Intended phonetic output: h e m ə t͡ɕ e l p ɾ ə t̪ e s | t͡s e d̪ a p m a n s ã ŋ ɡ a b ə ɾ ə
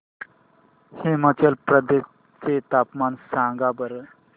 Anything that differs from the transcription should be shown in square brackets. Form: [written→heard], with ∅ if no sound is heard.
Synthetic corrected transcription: h e m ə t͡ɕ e l p ɾ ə [t̪→d̪] e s | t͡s e [d̪→t̪] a p m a n s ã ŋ ɡ a b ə ɾ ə